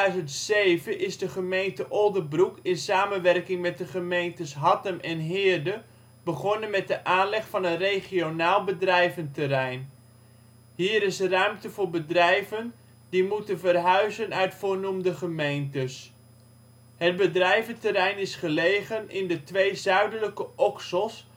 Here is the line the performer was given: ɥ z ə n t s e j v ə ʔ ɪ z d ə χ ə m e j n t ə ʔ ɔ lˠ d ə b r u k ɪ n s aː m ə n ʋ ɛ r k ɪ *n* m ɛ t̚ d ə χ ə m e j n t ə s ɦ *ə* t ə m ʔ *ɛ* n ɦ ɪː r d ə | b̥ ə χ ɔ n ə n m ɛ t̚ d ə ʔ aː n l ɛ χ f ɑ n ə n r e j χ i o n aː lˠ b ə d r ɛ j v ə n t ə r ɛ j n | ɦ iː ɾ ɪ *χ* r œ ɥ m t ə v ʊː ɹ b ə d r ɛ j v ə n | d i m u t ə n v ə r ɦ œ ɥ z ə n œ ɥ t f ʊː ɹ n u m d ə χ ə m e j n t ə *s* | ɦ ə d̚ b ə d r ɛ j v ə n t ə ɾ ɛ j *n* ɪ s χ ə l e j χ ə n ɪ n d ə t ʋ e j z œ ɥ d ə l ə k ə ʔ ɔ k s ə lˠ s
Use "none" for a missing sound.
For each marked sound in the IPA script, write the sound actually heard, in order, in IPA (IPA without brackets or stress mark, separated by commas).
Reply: ŋ, ɑ, ɛ, s, s, n